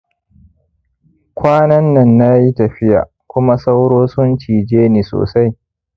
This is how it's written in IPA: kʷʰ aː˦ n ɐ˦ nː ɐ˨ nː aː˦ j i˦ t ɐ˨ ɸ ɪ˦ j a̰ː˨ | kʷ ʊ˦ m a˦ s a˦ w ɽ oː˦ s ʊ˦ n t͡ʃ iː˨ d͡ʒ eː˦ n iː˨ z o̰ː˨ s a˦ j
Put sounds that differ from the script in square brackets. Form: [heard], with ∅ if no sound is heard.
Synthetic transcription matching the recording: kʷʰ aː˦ n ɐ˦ nː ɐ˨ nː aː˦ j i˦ t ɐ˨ ɸ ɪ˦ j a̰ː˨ | kʷ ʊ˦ m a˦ s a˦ w ɽ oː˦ s ʊ˦ n t͡ʃ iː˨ d͡ʒ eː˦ n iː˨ [s] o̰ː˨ s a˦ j